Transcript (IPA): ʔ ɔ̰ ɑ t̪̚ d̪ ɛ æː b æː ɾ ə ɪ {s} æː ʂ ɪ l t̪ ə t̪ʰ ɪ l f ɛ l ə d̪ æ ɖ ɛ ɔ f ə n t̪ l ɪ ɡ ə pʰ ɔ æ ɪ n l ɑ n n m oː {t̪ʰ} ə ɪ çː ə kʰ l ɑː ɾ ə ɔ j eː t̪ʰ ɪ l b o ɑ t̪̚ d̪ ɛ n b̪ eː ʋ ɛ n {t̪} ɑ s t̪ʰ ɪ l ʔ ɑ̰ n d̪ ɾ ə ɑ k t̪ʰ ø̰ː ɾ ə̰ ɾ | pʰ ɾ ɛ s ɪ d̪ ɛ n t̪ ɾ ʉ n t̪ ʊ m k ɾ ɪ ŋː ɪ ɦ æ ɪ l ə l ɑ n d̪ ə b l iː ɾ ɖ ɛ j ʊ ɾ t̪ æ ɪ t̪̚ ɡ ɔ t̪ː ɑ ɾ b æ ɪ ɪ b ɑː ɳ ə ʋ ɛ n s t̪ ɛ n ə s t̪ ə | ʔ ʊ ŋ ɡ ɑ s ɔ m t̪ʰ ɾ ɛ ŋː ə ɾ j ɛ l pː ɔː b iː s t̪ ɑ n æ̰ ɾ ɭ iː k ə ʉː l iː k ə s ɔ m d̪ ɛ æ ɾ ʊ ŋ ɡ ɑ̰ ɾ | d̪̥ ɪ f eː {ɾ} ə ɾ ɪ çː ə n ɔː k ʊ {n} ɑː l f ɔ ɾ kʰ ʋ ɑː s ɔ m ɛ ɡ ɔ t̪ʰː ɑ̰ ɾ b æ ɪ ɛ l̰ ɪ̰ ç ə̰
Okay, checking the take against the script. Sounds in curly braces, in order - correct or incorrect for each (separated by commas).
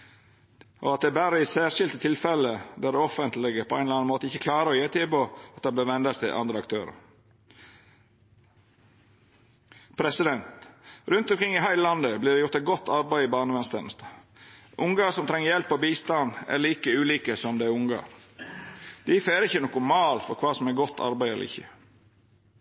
correct, incorrect, incorrect, correct, incorrect